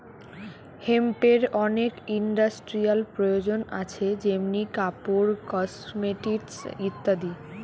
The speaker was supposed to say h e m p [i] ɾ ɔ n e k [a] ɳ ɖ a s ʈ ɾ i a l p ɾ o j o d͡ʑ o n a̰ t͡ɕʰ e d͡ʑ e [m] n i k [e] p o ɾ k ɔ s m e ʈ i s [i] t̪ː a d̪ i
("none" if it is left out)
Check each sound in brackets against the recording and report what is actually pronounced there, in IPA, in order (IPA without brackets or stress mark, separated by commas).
e, i, m, a, i